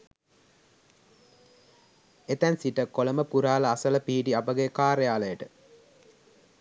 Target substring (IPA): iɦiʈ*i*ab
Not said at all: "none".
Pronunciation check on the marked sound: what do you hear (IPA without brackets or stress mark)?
i